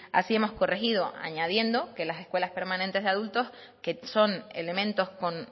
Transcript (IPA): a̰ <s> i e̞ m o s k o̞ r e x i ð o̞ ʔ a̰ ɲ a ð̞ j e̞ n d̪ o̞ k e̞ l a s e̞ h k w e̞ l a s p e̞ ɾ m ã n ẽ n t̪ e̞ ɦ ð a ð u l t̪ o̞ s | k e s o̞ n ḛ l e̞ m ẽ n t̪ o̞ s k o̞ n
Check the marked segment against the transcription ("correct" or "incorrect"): correct